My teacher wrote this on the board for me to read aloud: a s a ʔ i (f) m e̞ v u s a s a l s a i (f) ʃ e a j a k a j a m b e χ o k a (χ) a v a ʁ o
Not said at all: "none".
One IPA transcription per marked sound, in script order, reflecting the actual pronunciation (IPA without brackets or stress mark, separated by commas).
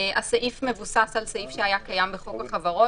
f, f, χ